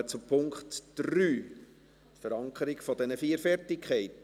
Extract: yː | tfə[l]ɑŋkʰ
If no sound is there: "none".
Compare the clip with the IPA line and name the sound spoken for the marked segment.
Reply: ɾ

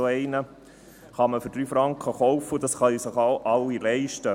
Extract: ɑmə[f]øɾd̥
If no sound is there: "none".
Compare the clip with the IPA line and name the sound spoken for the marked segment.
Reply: f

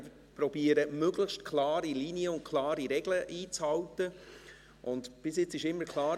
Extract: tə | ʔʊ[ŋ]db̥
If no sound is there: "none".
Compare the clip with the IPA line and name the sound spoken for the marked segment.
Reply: n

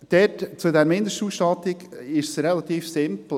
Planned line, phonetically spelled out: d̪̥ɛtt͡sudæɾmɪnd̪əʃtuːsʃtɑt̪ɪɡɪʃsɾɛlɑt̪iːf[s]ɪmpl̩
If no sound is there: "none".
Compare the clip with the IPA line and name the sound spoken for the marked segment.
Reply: s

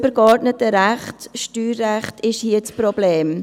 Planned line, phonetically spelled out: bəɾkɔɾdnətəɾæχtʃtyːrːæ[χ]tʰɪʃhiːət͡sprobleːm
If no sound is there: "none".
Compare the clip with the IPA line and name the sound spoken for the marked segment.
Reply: χ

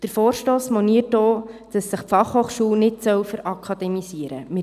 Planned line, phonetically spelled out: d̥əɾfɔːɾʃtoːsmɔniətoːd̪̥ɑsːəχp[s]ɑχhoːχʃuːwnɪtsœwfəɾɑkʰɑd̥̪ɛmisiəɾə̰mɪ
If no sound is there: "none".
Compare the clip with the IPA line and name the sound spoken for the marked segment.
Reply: f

